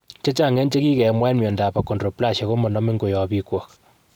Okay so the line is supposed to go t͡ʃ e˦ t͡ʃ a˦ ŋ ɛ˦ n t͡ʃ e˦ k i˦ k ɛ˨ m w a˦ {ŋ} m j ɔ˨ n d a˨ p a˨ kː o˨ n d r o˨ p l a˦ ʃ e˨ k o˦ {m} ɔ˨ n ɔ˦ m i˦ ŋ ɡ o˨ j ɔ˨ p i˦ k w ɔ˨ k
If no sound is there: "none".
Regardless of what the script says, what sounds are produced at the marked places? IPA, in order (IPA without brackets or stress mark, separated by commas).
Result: n, m